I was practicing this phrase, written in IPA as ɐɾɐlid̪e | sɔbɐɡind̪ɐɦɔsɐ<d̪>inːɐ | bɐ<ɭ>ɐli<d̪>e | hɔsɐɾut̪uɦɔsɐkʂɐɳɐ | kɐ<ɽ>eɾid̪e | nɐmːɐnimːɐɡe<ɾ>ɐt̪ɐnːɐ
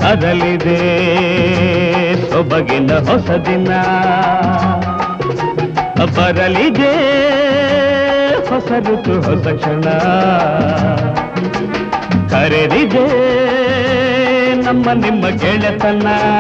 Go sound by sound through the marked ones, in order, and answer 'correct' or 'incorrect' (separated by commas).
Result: correct, incorrect, correct, incorrect, incorrect